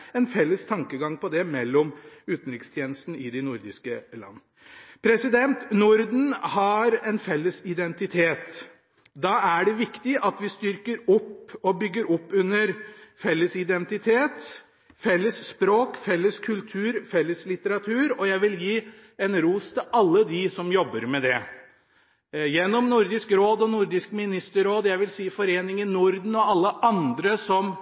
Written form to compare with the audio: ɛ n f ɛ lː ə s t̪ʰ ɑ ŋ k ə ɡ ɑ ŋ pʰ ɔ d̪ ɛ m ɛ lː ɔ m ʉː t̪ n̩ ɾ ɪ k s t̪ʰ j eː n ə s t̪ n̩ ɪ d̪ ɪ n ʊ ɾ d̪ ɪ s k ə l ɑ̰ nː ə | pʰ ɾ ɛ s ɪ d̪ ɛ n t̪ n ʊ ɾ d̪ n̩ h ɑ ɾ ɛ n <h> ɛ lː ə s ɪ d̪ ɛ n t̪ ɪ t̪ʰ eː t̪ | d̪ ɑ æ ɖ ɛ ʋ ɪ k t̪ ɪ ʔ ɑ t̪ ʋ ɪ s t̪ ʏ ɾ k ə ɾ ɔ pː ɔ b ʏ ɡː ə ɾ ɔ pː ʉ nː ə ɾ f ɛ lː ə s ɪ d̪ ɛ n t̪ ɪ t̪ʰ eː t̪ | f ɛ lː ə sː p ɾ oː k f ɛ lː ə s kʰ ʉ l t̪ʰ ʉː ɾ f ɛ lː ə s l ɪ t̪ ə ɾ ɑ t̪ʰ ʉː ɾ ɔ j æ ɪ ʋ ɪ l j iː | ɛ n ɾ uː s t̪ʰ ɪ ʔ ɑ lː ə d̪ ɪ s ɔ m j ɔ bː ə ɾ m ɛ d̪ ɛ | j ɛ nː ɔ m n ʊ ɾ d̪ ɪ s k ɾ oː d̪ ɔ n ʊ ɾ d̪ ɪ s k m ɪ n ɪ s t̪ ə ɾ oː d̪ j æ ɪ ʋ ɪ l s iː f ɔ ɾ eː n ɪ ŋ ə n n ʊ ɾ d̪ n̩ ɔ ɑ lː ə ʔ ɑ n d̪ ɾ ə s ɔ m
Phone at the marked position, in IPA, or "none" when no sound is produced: f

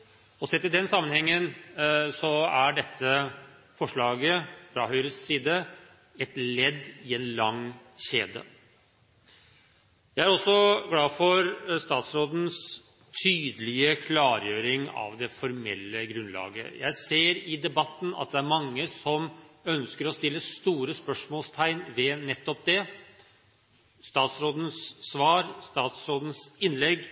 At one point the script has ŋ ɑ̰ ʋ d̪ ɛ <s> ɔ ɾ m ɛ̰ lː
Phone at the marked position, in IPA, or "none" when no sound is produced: f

